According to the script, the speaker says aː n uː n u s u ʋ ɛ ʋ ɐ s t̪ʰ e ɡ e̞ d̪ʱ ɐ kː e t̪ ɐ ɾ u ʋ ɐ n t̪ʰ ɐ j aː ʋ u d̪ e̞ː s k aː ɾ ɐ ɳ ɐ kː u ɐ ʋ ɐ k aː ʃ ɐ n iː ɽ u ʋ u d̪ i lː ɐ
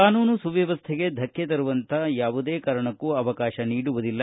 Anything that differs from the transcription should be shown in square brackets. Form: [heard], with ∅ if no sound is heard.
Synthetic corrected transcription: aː n uː n u s u ʋ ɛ ʋ ɐ s t̪ʰ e ɡ e̞ d̪ʱ ɐ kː e t̪ ɐ ɾ u ʋ ɐ n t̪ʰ ɐ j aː ʋ u d̪ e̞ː [∅] k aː ɾ ɐ ɳ ɐ kː u ɐ ʋ ɐ k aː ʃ ɐ n iː ɽ u ʋ u d̪ i lː ɐ